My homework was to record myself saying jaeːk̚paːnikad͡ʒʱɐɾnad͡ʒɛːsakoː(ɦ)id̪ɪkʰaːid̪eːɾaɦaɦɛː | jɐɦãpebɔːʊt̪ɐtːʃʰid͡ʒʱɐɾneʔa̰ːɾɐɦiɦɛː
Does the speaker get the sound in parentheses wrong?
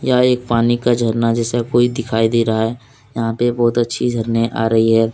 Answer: yes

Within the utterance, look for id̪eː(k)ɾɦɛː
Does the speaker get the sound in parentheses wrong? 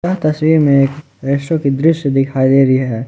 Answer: yes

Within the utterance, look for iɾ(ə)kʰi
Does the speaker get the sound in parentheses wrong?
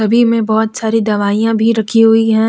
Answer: yes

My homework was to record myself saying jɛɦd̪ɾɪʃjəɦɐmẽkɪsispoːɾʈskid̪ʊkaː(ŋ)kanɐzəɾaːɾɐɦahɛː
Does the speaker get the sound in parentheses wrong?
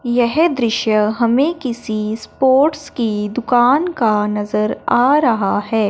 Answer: yes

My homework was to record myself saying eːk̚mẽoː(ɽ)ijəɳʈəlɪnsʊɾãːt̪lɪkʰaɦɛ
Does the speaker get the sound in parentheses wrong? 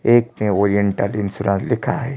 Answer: yes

